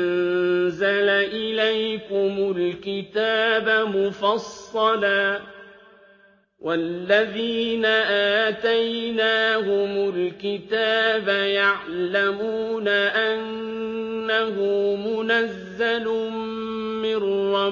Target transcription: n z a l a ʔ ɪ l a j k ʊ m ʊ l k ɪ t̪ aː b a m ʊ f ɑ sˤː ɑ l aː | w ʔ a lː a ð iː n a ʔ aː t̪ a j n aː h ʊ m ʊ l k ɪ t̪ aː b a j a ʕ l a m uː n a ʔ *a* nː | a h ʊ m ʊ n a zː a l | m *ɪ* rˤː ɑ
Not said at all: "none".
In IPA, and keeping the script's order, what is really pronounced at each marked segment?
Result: a, ɪ

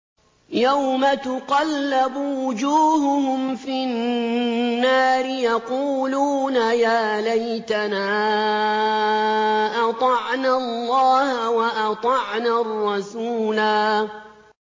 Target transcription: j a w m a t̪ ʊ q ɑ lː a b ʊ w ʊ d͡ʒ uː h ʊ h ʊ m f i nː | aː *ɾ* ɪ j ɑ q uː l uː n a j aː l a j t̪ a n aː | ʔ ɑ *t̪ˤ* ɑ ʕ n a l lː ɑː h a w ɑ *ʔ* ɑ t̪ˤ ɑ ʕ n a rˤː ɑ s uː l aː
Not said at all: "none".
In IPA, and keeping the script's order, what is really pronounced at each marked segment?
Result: ɾ, t̪ˤ, ʔ

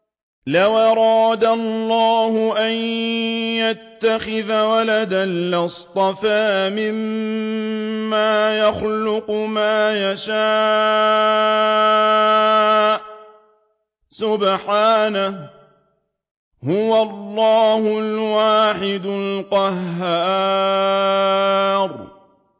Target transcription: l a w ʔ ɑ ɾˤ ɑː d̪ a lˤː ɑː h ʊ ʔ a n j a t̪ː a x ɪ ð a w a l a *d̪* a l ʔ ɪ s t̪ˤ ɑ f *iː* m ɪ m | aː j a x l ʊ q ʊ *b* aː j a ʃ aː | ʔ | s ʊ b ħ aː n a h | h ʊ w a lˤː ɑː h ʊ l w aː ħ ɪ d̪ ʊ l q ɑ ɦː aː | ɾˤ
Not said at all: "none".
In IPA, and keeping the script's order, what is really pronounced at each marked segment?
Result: d̪, aː, m

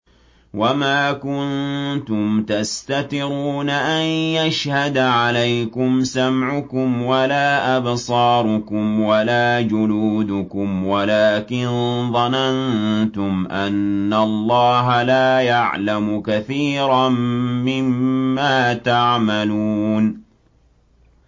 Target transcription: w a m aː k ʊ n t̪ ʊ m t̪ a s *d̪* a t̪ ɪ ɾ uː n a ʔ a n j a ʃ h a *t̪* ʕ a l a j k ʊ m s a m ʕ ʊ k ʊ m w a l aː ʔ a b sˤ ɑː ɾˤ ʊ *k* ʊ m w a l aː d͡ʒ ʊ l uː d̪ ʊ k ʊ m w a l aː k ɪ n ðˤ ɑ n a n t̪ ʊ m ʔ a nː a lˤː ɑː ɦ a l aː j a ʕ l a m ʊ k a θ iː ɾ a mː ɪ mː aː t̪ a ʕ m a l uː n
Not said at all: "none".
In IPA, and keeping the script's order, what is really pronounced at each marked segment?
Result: t̪, d̪, k

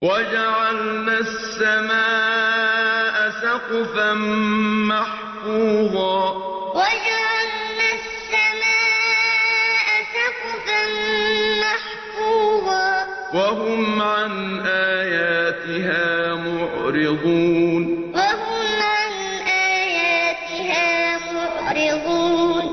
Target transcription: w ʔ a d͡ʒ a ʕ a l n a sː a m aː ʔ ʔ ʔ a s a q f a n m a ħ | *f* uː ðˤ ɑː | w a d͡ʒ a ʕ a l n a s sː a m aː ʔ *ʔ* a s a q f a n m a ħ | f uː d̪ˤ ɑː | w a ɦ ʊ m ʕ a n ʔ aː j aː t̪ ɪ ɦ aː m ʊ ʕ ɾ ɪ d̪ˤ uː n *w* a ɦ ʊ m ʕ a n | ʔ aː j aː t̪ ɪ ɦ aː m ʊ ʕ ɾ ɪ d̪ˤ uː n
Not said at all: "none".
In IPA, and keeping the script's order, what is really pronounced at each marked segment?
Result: f, ʔ, w

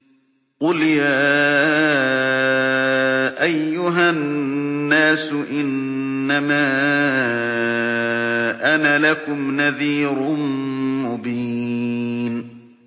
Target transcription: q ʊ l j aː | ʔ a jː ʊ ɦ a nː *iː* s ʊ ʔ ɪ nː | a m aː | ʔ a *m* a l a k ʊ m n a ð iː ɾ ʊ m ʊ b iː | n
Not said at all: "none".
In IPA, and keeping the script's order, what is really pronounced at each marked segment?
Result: aː, n

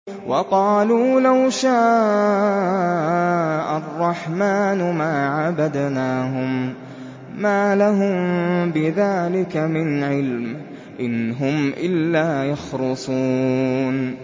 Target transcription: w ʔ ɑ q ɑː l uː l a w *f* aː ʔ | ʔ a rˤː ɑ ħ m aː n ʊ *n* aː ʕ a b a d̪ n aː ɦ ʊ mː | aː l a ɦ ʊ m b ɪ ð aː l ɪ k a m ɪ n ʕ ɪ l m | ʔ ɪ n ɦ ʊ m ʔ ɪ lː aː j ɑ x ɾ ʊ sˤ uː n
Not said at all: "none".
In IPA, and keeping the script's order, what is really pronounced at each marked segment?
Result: ʃ, m

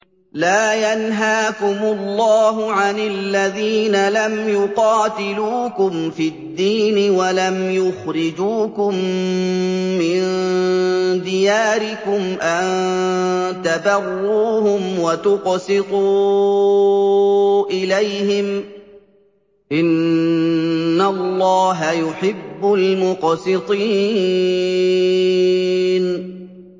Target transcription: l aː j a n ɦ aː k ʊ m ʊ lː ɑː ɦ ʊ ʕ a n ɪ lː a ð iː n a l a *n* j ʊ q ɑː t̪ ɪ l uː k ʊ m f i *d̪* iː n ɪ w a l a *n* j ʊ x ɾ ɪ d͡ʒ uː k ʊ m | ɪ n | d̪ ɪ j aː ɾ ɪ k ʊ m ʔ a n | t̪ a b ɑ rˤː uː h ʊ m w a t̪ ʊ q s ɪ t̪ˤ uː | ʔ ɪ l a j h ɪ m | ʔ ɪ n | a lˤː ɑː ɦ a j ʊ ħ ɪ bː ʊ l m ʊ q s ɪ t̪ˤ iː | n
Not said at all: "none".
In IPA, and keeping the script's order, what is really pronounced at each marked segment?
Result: m, d̪ː, m

